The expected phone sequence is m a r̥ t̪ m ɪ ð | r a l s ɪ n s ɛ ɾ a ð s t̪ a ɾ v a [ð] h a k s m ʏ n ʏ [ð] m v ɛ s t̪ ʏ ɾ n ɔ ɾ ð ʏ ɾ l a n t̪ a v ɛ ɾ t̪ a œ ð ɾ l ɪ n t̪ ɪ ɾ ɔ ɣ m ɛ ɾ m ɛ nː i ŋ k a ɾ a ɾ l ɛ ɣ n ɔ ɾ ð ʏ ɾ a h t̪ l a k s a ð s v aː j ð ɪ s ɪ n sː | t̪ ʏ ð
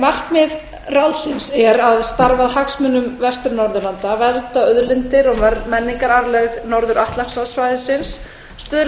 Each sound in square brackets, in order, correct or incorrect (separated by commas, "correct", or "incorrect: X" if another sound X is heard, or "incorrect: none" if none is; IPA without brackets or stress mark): correct, incorrect: none